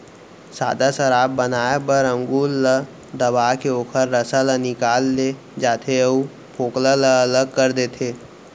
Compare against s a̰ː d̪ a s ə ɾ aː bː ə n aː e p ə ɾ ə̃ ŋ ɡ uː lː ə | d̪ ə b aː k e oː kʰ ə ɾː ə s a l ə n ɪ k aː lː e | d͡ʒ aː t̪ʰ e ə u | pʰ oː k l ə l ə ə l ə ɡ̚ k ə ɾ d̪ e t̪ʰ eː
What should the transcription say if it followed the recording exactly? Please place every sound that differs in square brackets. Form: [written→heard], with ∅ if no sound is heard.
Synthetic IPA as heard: s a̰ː d̪ a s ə ɾ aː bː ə n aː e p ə ɾ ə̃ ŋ ɡ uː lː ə | d̪ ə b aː k e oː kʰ ə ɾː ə s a l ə n ɪ k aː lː e | d͡ʒ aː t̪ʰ e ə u | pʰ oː k l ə l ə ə l ə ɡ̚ k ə ɾ d̪ e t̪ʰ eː